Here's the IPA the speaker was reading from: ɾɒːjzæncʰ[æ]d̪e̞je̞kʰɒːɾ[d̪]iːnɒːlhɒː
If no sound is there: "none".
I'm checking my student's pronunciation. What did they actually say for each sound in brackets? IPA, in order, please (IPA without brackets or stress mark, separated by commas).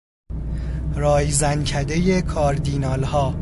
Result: æ, d̪